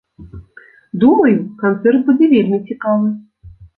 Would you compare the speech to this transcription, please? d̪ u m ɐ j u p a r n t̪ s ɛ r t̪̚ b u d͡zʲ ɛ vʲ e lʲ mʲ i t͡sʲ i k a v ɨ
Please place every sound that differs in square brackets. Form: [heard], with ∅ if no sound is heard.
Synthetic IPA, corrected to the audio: d̪ u m ɐ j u [k] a [∅] n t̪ s ɛ r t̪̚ b u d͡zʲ ɛ vʲ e lʲ mʲ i t͡sʲ i k a v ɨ